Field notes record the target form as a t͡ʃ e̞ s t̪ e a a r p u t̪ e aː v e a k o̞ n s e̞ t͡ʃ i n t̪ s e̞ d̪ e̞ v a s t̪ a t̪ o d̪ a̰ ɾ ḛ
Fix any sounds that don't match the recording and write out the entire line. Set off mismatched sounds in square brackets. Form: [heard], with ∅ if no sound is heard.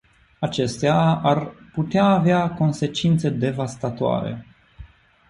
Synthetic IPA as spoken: a t͡ʃ e̞ s t̪ e a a r p u t̪ e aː v e a k o̞ n s e̞ t͡ʃ i n t̪ s e̞ d̪ e̞ v a s t̪ a t̪ o [∅] a̰ ɾ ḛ